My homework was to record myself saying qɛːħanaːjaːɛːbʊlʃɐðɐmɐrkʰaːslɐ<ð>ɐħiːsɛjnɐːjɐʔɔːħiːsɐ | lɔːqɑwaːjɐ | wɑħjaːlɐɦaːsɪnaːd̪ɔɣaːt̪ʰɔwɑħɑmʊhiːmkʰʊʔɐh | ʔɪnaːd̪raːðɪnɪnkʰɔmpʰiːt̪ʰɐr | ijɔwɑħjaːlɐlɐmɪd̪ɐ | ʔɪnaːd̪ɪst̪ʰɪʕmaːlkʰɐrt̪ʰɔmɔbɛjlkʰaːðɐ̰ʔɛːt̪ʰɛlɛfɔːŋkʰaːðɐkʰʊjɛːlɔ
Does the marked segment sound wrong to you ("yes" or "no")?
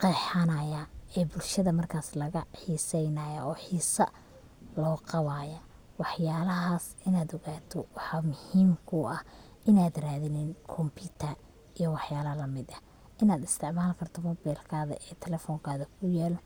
yes